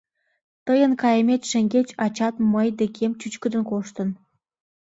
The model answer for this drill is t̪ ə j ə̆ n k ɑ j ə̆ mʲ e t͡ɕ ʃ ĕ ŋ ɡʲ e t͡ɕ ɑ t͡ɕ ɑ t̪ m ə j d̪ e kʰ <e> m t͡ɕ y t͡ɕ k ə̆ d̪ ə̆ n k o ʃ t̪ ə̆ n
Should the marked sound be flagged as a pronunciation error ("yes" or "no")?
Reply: no